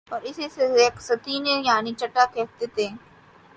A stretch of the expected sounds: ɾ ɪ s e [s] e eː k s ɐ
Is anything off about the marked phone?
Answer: no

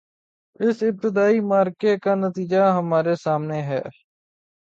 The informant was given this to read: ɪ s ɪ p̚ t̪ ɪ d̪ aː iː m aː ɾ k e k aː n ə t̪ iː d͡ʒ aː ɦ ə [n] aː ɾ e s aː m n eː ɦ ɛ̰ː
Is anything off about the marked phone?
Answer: yes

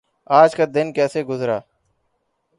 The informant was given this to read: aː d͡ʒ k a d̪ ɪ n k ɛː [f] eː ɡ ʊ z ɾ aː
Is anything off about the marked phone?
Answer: yes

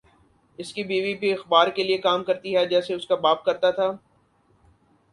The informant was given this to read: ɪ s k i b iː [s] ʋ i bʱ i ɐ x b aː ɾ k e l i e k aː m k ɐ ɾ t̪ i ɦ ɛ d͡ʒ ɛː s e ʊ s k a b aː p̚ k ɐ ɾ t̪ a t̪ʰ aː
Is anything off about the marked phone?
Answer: yes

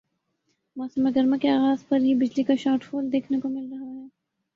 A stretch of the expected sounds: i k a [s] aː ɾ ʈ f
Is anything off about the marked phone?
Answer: yes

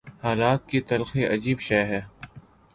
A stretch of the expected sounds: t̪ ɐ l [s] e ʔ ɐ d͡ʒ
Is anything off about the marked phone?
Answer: yes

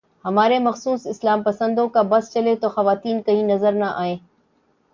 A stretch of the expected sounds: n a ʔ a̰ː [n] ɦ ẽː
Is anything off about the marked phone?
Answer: yes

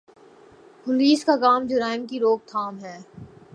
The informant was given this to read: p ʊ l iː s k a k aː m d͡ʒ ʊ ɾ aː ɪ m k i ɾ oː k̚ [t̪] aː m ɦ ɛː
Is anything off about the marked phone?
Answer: yes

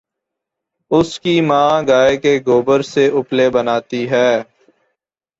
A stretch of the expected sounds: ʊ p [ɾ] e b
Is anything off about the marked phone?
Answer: yes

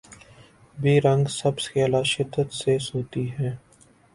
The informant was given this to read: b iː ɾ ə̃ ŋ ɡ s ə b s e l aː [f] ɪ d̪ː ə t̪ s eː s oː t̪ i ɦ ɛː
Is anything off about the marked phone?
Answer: yes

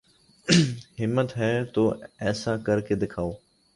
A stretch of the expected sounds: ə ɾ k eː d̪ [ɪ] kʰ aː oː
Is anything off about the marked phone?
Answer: no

